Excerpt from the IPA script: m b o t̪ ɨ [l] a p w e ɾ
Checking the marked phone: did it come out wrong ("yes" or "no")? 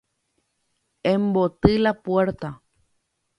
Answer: no